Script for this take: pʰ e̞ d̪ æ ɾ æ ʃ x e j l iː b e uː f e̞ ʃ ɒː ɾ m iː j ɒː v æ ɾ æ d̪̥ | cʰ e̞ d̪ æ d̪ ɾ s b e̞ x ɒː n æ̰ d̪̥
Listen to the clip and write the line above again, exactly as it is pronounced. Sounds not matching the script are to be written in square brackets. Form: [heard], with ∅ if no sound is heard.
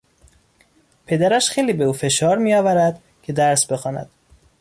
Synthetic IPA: pʰ e̞ d̪ æ ɾ æ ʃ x e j l iː b e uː f e̞ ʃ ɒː ɾ m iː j ɒː v æ ɾ æ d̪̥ | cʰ e̞ d̪ æ [∅] ɾ s b e̞ x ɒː n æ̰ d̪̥